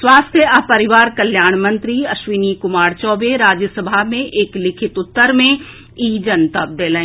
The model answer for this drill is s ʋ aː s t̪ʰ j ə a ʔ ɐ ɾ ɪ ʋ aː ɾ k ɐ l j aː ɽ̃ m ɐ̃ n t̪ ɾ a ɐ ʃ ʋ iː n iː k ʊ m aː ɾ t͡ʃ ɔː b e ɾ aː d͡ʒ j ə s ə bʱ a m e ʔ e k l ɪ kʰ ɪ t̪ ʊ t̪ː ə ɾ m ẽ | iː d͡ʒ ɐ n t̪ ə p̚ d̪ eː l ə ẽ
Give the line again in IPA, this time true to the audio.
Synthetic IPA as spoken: s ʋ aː s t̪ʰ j ə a p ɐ ɾ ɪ ʋ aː ɾ k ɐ l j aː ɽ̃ m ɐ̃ n t̪ ɾ i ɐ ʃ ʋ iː n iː k ʊ m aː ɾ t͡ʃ ɔː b e ɾ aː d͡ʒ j ə s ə bʱ a m ẽ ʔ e k l ɪ kʰ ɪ t̪ ʊ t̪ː ə ɾ m ẽ | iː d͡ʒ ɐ n t̪ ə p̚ d̪ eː l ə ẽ